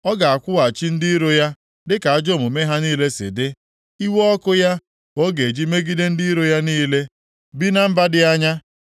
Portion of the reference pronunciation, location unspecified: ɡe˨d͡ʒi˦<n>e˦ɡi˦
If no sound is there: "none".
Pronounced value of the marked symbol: m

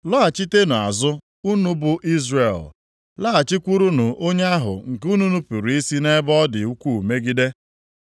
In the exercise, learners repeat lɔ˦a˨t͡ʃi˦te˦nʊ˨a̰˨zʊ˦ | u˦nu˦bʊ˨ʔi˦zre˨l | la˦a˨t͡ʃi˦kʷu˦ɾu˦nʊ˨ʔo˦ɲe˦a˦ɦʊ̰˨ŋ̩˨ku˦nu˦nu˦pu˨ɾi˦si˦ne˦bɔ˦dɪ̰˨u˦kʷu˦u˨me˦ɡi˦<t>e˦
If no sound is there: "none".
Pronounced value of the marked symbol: d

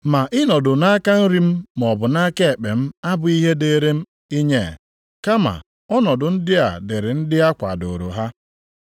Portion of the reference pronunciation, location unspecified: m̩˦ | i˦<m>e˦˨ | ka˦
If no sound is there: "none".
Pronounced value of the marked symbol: ɲ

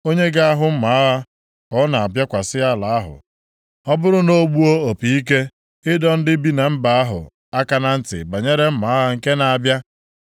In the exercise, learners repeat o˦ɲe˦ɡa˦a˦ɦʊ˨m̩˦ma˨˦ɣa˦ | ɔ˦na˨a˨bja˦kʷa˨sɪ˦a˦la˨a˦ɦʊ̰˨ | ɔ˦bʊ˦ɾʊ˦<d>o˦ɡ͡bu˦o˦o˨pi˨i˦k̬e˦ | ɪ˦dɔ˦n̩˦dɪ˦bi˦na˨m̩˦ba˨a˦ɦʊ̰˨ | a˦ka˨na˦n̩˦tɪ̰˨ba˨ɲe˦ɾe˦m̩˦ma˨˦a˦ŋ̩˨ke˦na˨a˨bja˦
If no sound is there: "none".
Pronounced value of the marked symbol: n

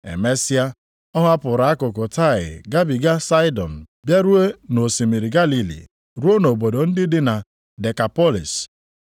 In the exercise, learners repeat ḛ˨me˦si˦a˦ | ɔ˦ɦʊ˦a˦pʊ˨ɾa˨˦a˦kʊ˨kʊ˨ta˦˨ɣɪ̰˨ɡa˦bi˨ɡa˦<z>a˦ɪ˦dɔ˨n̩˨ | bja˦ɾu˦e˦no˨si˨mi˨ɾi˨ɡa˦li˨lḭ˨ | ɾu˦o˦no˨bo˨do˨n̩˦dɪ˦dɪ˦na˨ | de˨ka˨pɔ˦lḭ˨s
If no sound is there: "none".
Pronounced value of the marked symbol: s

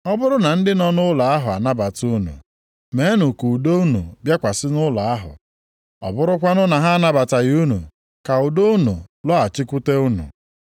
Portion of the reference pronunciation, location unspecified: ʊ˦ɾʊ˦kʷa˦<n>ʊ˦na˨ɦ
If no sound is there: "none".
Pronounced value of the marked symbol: n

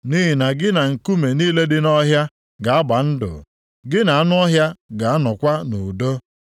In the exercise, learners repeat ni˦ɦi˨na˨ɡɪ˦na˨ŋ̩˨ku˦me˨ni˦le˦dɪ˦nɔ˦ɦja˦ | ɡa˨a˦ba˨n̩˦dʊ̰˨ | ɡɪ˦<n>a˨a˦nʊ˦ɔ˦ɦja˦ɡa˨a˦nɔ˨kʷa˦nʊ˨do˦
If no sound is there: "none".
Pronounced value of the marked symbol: n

